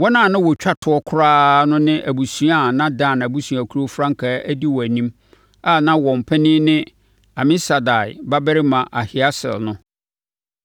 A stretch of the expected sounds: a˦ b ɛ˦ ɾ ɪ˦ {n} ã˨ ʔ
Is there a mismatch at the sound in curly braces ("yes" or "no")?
yes